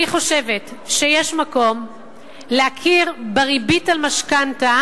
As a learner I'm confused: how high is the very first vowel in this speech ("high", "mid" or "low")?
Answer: high